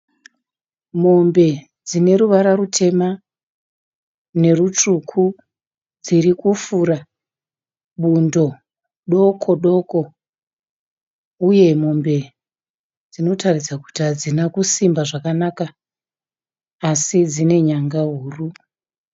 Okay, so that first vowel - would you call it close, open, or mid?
mid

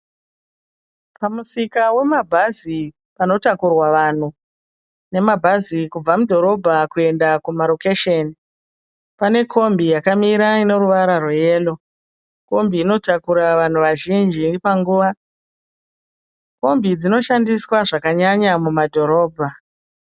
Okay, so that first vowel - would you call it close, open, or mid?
open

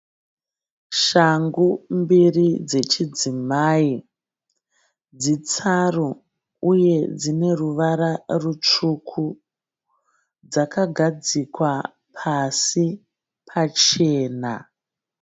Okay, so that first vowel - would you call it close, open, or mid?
open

